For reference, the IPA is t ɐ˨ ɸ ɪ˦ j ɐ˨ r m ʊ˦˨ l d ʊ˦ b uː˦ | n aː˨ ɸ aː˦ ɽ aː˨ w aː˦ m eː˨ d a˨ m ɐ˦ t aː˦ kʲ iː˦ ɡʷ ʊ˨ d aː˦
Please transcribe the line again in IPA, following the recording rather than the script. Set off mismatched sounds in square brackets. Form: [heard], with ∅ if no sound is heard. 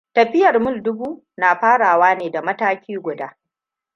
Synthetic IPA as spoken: t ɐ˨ ɸ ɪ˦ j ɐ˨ r m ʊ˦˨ l d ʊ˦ b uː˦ | n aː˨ ɸ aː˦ ɽ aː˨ w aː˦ [n] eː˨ d a˨ m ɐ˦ t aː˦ kʲ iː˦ ɡʷ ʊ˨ d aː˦

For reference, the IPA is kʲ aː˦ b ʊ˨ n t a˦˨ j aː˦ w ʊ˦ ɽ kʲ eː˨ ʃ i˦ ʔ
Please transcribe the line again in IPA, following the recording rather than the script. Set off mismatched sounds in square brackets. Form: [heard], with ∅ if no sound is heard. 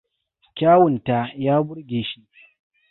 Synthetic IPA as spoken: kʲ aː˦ [w] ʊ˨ n t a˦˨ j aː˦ [b] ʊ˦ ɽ [ɡʲ] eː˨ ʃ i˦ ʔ

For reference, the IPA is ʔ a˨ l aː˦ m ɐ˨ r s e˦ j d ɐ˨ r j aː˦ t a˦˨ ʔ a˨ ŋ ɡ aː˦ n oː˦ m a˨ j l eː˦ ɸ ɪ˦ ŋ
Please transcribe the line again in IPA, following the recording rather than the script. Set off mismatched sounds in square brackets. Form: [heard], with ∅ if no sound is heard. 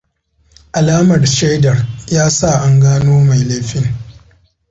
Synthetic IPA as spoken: ʔ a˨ l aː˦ m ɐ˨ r [ʃ] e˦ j d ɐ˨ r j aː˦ [s] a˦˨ ʔ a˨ ŋ ɡ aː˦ n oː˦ m a˨ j l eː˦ ɸ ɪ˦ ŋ

